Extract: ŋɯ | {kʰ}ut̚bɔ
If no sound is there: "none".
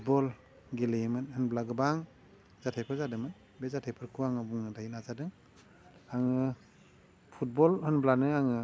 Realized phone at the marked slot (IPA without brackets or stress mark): pʰ